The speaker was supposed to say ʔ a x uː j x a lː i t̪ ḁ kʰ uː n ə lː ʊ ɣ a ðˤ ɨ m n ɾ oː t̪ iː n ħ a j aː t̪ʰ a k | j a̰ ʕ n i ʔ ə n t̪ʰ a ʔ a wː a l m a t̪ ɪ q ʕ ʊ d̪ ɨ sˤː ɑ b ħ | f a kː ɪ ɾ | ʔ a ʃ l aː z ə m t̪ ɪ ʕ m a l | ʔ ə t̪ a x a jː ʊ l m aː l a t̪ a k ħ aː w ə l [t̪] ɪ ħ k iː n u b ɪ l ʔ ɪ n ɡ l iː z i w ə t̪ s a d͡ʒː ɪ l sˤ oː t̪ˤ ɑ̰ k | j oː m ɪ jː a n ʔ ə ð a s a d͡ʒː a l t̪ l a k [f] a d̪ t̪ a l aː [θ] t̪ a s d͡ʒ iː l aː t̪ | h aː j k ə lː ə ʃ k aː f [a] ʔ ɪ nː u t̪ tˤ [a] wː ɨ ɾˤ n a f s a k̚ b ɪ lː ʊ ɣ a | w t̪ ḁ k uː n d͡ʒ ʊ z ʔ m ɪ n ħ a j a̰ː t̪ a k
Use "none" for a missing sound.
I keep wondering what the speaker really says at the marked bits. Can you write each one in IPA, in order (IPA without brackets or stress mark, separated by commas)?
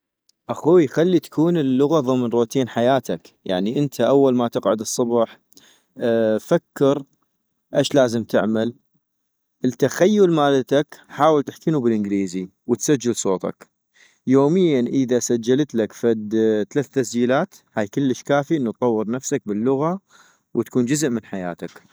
t̪, f, θ, i, ɑ